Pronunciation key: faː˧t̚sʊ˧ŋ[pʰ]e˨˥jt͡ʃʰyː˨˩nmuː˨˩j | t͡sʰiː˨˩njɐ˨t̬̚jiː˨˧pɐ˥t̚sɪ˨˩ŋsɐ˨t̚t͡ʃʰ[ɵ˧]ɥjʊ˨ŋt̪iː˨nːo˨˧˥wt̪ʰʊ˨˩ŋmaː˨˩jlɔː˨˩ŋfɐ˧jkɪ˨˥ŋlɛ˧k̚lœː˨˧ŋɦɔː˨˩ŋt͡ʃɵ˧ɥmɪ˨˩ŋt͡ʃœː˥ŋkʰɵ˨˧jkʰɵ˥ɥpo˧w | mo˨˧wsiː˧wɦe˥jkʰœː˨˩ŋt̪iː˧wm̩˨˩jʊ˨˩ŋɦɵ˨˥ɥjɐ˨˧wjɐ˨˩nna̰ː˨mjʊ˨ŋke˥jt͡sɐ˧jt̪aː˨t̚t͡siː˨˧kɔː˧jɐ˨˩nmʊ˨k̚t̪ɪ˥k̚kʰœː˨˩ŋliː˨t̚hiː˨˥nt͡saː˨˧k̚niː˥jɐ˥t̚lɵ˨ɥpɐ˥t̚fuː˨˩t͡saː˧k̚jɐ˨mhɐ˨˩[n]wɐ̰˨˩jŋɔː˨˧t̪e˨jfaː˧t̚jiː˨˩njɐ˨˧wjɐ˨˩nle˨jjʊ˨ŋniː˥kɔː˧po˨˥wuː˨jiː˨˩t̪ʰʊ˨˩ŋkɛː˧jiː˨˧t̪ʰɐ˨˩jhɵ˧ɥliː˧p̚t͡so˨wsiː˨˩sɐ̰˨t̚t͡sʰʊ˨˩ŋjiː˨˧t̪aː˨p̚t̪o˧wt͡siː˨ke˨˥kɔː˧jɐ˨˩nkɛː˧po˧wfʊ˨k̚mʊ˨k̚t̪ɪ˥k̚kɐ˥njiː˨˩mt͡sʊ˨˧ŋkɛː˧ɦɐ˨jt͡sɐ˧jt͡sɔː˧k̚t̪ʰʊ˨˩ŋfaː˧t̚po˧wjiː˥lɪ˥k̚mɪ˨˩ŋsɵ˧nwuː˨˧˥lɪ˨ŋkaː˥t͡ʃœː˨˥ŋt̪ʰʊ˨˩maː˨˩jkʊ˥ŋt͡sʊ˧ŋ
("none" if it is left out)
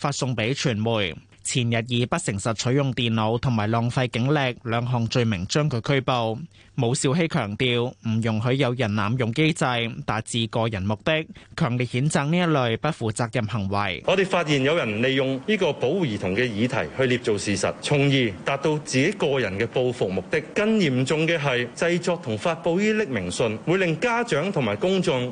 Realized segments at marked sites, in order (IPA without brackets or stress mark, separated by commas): p, ɵ˨˥, ŋ